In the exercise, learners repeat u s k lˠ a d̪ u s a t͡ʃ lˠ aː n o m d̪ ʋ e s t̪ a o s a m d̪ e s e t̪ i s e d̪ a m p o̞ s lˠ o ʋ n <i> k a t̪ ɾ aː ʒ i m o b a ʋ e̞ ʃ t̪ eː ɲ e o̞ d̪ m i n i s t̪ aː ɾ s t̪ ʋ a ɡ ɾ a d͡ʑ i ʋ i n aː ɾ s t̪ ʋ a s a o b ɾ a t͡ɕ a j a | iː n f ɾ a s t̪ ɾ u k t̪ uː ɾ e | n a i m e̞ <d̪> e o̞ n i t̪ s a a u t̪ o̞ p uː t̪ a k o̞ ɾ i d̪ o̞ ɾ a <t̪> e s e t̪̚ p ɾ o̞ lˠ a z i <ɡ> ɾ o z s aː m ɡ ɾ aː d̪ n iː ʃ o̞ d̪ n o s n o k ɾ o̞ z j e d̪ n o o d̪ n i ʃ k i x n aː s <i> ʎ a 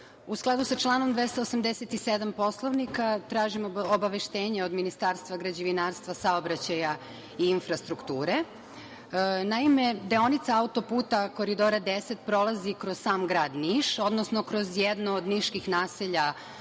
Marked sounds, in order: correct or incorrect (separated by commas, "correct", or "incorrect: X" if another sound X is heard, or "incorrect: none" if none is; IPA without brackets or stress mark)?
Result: correct, correct, incorrect: d̪, incorrect: k, incorrect: e